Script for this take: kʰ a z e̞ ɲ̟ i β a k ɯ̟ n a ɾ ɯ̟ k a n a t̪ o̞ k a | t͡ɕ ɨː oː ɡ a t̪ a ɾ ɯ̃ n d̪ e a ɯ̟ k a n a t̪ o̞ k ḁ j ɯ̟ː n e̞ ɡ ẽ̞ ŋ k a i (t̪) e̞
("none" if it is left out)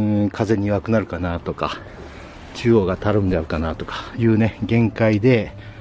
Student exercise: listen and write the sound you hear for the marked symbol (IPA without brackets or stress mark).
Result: d̪